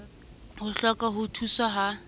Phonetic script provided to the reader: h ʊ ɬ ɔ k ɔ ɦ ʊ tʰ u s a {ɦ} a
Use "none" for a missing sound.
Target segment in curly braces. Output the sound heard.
ɦ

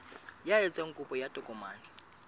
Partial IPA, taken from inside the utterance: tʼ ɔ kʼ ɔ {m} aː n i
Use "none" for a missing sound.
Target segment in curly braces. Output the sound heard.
m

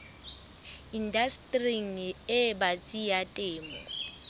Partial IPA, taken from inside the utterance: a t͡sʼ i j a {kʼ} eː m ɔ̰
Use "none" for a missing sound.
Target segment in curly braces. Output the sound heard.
tʼ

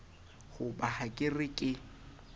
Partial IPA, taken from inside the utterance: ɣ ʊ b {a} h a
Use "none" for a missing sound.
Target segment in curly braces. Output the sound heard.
a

